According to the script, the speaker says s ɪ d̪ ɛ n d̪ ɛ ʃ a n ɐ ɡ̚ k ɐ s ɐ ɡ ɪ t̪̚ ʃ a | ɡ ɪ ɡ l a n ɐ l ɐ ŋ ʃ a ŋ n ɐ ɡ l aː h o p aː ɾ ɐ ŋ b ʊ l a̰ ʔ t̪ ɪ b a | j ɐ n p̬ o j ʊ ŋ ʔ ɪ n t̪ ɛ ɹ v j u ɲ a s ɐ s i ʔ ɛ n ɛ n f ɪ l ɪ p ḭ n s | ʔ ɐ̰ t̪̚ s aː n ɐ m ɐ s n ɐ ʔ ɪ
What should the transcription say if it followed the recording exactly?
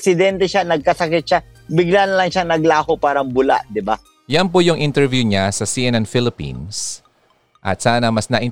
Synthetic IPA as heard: s ɪ d̪ ɛ n t̪ ɛ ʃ a n ɐ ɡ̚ k ɐ s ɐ k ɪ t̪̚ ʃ a | b ɪ ɡ l a n ɐ l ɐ ŋ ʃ a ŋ n ɐ ɡ l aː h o p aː ɾ ɐ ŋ b ʊ l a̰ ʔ d̪ ɪ b a | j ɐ n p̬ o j ʊ ŋ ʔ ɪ n t̪ ɛ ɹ v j u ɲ a s ɐ s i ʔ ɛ n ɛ n f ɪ l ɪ p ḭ n s | ʔ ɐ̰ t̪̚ s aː n ɐ m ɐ s n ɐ ʔ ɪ